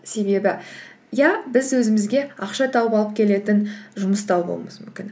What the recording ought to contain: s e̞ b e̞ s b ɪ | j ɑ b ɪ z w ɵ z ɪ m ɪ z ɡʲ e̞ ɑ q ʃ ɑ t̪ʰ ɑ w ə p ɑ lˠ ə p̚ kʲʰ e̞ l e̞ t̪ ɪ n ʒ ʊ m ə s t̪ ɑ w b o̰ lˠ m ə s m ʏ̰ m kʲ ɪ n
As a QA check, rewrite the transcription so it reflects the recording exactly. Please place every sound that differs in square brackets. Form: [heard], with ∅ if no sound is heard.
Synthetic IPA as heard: s e̞ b e̞ [∅] b ɪ | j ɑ b ɪ z w ɵ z ɪ m ɪ z ɡʲ e̞ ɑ q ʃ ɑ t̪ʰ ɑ w ə p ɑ lˠ ə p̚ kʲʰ e̞ l e̞ t̪ ɪ n ʒ ʊ m ə s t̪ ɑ w b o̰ lˠ m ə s m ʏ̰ m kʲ ɪ n